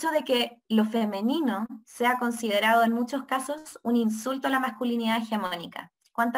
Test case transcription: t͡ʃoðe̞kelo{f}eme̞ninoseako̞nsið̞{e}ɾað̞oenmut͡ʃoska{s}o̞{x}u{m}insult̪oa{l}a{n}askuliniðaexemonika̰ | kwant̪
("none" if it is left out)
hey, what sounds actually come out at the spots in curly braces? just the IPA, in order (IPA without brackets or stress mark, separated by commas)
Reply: f, e, s, s, n, l, m